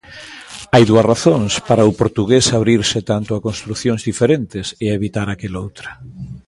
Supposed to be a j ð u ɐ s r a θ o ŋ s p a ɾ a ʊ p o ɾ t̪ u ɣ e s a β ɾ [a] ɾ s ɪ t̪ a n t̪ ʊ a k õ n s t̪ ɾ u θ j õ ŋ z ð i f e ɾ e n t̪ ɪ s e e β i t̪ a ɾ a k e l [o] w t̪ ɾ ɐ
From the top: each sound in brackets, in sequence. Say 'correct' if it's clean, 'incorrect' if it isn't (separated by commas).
incorrect, correct